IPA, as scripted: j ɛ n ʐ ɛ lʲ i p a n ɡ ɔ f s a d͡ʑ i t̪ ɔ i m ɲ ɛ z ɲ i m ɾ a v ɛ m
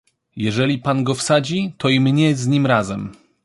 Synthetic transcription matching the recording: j ɛ ʐ ɛ lʲ i p a n ɡ ɔ f s a d͡ʑ i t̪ ɔ i m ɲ ɛ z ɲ i m ɾ a z ɛ m

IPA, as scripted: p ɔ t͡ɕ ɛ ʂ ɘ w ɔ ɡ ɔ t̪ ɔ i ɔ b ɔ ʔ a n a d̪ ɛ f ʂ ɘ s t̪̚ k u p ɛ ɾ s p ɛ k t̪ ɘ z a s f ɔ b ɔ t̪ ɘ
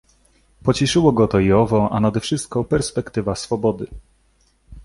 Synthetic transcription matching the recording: p ɔ t͡ɕ ɛ ʂ ɘ w ɔ ɡ ɔ t̪ ɔ i ɔ v ɔ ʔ a n a d̪ ɛ f ʂ ɘ s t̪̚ k ɔ p ɛ ɾ s p ɛ k t̪ ɘ v a s f ɔ b ɔ d̪ ɘ

